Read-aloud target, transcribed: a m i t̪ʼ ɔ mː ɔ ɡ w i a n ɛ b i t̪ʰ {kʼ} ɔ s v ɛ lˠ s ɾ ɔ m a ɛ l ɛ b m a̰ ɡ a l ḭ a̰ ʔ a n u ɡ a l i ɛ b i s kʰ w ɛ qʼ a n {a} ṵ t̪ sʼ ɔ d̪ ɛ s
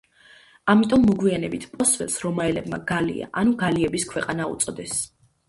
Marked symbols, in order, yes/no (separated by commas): no, yes